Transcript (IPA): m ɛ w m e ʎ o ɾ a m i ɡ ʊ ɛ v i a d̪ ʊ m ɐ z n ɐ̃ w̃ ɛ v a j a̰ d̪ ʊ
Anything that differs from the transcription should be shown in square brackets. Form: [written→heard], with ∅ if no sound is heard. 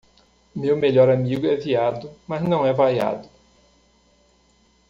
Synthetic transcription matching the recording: m [ɛ→e] w m e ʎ [o→ɔ] ɾ a m i ɡ ʊ ɛ v i a d̪ ʊ m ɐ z n ɐ̃ w̃ ɛ v a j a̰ d̪ ʊ